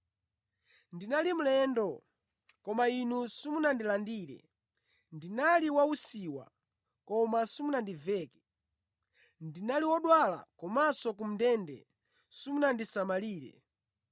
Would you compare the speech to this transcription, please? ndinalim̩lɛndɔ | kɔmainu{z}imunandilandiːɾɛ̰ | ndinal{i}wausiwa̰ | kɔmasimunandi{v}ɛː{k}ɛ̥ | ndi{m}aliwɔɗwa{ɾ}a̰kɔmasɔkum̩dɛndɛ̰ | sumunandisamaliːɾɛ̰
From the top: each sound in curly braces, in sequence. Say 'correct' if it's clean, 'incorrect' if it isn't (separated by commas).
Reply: incorrect, correct, correct, correct, incorrect, incorrect